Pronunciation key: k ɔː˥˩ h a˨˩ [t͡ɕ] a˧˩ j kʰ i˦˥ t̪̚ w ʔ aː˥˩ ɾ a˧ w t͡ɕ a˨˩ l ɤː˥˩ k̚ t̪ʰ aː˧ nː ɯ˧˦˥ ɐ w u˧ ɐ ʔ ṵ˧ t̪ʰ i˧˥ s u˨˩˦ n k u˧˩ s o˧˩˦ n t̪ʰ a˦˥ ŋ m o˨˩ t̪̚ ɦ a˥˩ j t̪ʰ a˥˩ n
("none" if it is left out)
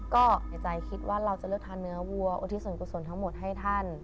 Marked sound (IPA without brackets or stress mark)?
t͡ɕ